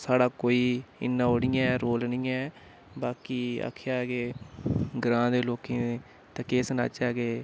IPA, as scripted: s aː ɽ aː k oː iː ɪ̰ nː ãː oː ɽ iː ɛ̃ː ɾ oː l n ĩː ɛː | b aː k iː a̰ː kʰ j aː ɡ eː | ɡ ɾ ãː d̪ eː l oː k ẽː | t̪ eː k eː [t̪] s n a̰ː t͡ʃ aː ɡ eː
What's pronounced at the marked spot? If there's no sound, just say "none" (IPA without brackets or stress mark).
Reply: none